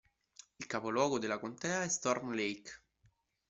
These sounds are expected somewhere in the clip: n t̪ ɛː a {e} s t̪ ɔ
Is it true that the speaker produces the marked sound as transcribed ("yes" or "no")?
no